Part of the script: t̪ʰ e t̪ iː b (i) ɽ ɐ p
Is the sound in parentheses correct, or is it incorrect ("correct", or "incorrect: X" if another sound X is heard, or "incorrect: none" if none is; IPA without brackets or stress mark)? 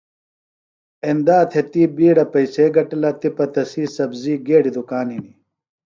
incorrect: iː